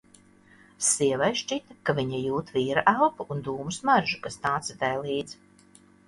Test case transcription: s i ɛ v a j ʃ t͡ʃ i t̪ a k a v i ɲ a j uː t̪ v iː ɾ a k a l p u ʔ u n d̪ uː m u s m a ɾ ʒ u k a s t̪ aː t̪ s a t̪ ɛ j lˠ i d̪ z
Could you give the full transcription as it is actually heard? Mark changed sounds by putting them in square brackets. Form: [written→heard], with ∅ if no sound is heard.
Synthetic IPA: s i ɛ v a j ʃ t͡ʃ i t̪ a k a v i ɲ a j uː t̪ v iː ɾ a [k→ʔ] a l p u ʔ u n d̪ uː m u s m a ɾ ʒ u k a s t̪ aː t̪ s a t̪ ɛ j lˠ [i→iː] d̪ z

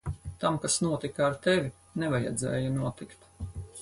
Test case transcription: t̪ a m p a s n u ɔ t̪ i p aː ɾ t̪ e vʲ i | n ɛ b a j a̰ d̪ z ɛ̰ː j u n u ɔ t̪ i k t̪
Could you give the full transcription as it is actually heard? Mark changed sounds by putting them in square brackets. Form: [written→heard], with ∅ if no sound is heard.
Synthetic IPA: t̪ a m [p→k] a s n u ɔ t̪ i [p→k] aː ɾ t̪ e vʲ i | n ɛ [b→v] a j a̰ d̪ z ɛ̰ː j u n u ɔ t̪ i k t̪

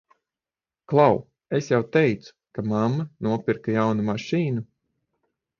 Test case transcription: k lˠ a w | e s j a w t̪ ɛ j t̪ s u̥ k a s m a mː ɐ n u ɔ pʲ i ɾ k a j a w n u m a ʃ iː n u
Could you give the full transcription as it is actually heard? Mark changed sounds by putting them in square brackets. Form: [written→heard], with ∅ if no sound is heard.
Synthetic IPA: k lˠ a w | e s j a w t̪ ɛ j t̪ s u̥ k a [s→∅] m a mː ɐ n u ɔ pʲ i ɾ k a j a w n u m a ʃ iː n u

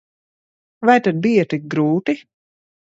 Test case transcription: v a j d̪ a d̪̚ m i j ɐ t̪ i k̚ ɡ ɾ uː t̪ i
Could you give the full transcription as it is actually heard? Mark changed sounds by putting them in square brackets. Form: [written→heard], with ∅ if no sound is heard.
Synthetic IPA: v a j [d̪→t̪] a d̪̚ [m→b] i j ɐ t̪ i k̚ ɡ ɾ uː t̪ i

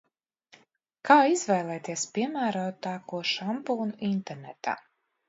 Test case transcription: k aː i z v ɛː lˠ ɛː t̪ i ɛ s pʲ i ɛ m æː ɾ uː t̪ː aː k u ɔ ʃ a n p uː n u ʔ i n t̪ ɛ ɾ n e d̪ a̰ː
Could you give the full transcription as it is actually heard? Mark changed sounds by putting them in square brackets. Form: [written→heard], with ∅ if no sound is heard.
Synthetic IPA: k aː i z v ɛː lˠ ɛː t̪ i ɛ s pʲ i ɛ m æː ɾ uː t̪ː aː k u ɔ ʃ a [n→m] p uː n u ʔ i n t̪ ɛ ɾ n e [d̪→t̪] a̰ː

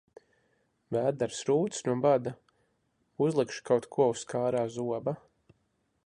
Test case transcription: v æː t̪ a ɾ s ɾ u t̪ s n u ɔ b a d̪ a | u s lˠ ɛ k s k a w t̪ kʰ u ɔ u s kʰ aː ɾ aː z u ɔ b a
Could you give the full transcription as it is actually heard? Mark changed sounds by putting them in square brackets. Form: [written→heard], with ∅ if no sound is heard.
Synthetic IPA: v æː [t̪→d̪] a ɾ s ɾ [u→uː] t̪ s n u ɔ b a d̪ a | u [s→z] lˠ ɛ k [s→ʃ] k a w t̪ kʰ u ɔ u s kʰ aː ɾ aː z u ɔ b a

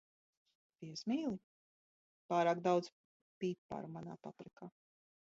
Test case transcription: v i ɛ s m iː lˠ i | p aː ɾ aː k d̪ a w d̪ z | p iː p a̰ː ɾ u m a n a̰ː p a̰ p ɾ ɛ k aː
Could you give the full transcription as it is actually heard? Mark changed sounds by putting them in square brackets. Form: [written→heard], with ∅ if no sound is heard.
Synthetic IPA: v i ɛ s m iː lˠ i | p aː ɾ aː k d̪ a w d̪ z | p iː p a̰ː ɾ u m a n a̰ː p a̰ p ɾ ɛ k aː

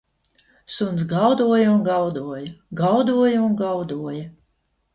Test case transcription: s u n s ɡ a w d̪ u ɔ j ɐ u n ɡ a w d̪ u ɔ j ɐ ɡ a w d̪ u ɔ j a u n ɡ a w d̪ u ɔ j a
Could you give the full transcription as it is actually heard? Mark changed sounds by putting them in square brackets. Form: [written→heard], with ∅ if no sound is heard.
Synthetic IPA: s u n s ɡ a w d̪ u ɔ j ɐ u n ɡ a w d̪ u ɔ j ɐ ɡ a w d̪ u ɔ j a u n ɡ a w d̪ u ɔ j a

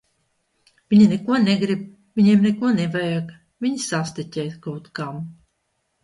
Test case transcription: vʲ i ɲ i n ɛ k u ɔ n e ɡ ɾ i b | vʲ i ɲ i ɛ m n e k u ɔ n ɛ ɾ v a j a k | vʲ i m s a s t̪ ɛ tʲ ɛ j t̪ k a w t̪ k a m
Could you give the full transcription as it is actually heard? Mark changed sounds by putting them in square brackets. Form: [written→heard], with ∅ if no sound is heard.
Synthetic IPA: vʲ i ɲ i n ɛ k u ɔ n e ɡ ɾ i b | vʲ i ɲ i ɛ m n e k u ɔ n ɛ [ɾ→∅] v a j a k | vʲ i [m→ɲ] s a s t̪ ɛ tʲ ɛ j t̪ k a w t̪ k a m

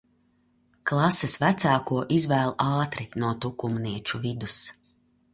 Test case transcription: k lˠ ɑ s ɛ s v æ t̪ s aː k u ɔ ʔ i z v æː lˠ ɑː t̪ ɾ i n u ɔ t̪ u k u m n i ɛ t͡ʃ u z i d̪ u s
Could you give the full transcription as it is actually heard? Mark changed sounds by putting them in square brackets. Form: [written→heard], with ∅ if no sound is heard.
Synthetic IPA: k lˠ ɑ s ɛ s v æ t̪ s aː k u ɔ ʔ i z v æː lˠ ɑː t̪ ɾ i n u ɔ t̪ u k u m n i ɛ t͡ʃ u [z→v] i d̪ u s

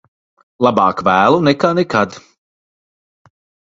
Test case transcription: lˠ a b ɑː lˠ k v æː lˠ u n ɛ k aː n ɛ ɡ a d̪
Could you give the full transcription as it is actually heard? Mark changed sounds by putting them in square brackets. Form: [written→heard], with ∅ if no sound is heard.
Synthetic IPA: lˠ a b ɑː [lˠ→∅] k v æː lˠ u n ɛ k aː n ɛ [ɡ→k] a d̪

